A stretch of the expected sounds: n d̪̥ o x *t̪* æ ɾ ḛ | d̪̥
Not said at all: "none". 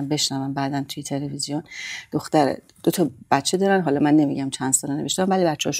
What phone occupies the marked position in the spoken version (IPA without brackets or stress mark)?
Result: t̪